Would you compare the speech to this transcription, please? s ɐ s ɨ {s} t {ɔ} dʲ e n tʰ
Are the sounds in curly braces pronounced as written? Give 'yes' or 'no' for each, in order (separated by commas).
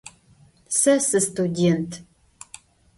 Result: yes, no